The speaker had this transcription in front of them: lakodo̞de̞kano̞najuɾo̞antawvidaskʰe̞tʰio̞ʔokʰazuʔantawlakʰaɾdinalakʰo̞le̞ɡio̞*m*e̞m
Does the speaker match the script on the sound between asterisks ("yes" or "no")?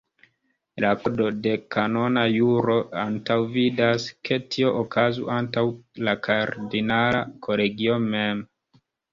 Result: yes